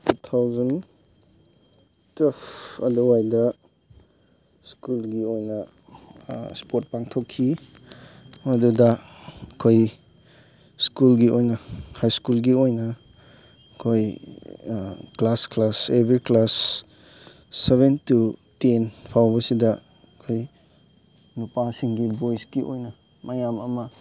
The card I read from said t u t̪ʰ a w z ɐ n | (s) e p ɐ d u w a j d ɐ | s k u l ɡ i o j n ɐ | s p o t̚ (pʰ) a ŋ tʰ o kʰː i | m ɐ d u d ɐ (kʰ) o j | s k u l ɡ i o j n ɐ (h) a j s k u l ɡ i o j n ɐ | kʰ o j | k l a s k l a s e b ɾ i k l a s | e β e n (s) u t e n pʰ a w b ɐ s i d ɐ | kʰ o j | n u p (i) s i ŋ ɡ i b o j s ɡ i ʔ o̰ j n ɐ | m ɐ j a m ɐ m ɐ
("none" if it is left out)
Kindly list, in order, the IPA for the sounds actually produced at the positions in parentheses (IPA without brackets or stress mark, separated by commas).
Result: t, p, kʰ, h, t, a